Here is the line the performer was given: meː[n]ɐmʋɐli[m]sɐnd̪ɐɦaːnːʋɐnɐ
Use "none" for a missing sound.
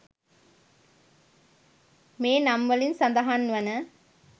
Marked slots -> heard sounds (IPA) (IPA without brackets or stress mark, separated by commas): n, n